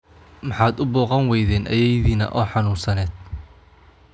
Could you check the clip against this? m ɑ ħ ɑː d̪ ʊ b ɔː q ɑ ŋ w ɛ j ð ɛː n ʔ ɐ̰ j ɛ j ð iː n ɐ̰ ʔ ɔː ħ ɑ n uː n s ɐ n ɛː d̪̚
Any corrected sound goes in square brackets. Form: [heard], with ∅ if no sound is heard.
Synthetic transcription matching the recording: m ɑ ħ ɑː d̪ ʊ b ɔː q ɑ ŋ w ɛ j ð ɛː n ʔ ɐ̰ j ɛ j ð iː n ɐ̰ ʔ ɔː ħ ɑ n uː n s ɐ n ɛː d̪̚